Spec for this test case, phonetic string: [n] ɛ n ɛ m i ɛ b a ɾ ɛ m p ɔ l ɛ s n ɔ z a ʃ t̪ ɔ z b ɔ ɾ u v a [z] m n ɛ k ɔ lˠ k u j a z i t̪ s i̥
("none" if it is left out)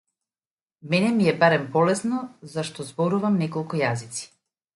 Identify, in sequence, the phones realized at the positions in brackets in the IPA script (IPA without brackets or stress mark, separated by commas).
m, none